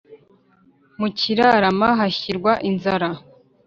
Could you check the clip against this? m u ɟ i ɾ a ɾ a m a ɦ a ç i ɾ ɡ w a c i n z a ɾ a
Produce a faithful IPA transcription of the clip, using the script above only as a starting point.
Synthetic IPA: m u c i ɾ a ɾ a m a ɦ a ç i ɾ ɡ w a ʔ i n z a ɾ a